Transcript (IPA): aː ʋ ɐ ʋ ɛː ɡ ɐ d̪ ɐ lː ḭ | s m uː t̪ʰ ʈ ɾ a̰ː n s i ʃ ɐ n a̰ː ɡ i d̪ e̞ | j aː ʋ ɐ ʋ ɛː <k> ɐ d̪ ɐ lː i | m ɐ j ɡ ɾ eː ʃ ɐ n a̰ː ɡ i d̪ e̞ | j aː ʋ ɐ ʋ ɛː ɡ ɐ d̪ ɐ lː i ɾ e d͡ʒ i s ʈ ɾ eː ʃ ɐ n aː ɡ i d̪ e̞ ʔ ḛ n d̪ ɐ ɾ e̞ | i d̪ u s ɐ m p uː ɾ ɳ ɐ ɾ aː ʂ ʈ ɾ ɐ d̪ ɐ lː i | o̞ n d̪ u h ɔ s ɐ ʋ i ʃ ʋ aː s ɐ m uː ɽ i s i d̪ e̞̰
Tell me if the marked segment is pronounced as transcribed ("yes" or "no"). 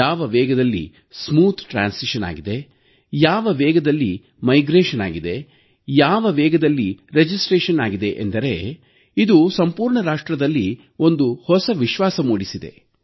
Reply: no